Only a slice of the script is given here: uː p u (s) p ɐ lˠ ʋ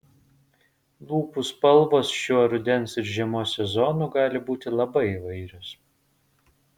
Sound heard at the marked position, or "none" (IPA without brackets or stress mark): s